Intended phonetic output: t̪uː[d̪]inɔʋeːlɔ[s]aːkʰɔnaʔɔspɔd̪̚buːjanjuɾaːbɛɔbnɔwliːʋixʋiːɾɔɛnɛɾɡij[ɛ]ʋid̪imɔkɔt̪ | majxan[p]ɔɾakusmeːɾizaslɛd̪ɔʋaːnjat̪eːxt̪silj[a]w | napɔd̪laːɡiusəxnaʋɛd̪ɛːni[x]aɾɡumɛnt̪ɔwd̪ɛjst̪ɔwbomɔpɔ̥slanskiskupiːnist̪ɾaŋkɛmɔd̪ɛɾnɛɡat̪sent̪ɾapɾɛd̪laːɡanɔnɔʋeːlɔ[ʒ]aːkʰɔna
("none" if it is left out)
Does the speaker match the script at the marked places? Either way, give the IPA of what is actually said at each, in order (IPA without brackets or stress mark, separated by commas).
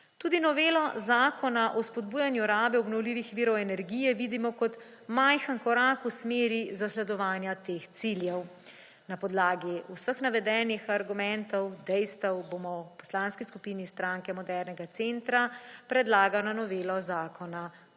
d̪, z, ɛ, k, ɛ, x, z